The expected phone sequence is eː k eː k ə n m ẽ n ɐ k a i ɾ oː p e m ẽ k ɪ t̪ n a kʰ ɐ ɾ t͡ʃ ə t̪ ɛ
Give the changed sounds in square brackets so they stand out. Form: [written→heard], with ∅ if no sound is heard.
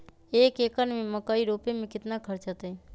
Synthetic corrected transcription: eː k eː k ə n m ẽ [n→m] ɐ k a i ɾ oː p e m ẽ k ɪ t̪ n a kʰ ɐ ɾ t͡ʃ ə t̪ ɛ

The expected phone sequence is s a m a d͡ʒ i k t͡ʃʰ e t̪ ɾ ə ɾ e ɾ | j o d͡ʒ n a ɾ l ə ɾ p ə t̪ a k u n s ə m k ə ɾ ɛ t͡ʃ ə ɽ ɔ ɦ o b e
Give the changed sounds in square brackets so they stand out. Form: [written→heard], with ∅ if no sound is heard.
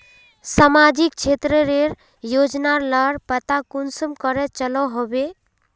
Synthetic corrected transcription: s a m a d͡ʒ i k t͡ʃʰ e t̪ ɾ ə ɾ e ɾ | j o d͡ʒ n a ɾ l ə ɾ p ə t̪ a k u n s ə m k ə ɾ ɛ t͡ʃ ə [ɽ→l] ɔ ɦ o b e

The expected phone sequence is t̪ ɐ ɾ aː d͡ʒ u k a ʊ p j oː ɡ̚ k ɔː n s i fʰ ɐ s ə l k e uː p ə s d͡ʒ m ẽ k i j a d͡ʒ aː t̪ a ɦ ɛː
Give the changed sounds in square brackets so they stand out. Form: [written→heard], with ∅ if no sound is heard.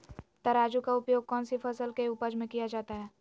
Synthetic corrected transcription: t̪ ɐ ɾ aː d͡ʒ u k a ʊ p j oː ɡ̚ k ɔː n s i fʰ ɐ s ə l k e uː p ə [s→∅] d͡ʒ m ẽ k i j a d͡ʒ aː t̪ a ɦ ɛː

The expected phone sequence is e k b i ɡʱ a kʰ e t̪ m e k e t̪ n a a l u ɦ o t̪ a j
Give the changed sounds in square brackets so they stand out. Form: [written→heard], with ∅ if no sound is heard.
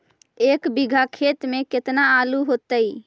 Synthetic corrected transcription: e k b i ɡʱ a kʰ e t̪ m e k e t̪ n a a l u ɦ o t̪ [a→ə] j

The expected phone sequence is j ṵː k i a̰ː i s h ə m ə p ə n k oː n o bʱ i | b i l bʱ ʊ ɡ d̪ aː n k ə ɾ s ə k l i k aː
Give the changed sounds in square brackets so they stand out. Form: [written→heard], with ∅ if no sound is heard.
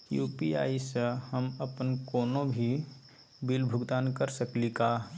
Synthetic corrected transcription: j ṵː [k→p] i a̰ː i s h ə m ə p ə n k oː n o bʱ i | b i l bʱ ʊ ɡ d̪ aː n k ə ɾ s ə k l i k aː

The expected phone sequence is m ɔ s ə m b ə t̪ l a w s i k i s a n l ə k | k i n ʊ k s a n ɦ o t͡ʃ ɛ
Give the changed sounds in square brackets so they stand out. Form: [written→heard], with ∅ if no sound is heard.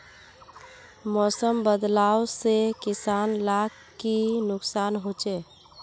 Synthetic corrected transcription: m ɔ s ə m b ə [t̪→d̪] l a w s [i→e] k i s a n l [ə→a] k | k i n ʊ k s a n ɦ o t͡ʃ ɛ

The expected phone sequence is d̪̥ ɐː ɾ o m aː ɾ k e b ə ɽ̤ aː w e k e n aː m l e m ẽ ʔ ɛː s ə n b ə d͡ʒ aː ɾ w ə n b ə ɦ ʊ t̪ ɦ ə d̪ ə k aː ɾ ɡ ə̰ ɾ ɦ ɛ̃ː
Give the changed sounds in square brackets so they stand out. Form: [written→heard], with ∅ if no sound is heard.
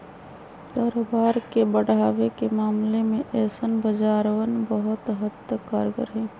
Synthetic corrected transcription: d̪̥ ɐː ɾ o [m→b] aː ɾ k e b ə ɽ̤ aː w e k e [n→m] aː m l e m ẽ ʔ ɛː s ə n b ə d͡ʒ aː ɾ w ə n b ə ɦ ʊ t̪ ɦ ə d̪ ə k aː ɾ ɡ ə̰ ɾ ɦ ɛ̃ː

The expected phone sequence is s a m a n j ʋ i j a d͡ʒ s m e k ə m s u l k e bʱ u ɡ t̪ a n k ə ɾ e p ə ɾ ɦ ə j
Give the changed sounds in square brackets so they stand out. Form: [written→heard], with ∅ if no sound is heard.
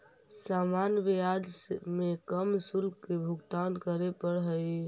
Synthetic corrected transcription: s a m a n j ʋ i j a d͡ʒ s m e k ə m s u l k e bʱ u ɡ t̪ a n k ə ɾ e p ə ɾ ɦ ə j

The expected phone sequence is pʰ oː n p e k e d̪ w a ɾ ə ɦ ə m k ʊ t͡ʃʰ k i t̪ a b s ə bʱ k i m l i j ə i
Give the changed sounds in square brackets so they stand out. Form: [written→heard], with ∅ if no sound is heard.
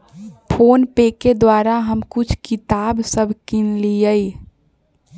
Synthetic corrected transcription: pʰ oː n p e k e d̪ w a ɾ [ə→a] ɦ ə m k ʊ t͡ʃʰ k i t̪ a b s ə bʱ k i [m→n] l i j ə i

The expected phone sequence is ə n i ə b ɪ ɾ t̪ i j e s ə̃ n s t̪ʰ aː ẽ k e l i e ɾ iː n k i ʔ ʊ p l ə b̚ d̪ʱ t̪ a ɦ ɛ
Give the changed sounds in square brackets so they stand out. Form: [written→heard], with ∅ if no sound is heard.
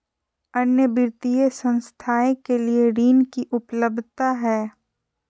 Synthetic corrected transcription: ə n [i→j] ə b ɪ ɾ t̪ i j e s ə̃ n s t̪ʰ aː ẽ k e l i e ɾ iː n k i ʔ ʊ p l ə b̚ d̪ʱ t̪ a ɦ [ɛ→ɛː]

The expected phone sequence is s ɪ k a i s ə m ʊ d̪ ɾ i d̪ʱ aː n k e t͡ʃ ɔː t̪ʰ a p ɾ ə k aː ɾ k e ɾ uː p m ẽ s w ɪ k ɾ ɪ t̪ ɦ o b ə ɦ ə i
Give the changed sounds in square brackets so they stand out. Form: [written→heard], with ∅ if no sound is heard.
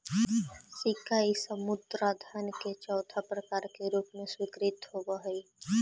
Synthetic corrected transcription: s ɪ k a i s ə m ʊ d̪ ɾ [i→a] d̪ʱ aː n k e t͡ʃ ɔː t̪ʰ a p ɾ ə k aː ɾ k e ɾ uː p m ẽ s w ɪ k ɾ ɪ t̪ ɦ o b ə ɦ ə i

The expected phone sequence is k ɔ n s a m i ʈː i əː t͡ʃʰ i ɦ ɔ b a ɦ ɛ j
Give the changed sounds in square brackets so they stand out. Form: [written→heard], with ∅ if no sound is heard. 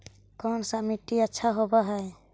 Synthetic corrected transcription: k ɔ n s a m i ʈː i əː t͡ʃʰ [i→a] ɦ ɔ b a ɦ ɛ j

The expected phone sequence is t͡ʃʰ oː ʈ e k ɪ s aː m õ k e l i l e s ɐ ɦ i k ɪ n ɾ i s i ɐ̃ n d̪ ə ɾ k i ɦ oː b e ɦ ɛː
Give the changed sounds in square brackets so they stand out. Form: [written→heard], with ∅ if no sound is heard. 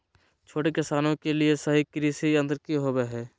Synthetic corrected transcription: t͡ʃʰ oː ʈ e k ɪ s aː [m→n] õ k e l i [l→∅] e s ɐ ɦ i k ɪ [n→∅] ɾ i s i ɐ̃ n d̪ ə ɾ k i ɦ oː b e ɦ ɛː

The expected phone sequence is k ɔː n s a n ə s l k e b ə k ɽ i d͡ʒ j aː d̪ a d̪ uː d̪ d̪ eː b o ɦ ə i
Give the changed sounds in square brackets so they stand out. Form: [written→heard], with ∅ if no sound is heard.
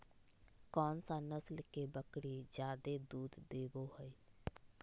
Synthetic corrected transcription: k ɔː n s a n ə s l k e b ə k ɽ i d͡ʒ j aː d̪ [a→e] d̪ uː d̪ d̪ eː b o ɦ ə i

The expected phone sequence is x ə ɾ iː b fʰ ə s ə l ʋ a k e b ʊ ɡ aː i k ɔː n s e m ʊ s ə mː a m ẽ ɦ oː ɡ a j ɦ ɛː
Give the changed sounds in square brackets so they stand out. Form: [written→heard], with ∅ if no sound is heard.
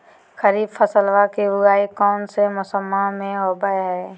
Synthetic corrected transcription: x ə ɾ iː b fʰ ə s ə l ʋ a k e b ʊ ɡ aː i k ɔː n s e m ʊ s ə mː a m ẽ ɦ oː [ɡ→b] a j ɦ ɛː

